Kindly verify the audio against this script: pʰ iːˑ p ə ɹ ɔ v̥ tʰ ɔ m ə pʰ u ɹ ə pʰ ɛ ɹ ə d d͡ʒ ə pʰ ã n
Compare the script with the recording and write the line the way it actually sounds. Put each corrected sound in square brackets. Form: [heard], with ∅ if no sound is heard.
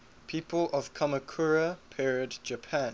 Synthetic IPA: pʰ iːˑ p ə [l] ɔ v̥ [kʰ] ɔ m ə [kʰ] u ɹ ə pʰ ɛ ɹ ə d d͡ʒ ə pʰ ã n